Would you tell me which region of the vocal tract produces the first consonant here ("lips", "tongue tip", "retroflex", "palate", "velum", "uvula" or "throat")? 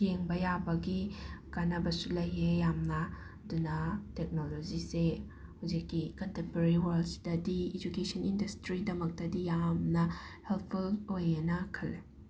velum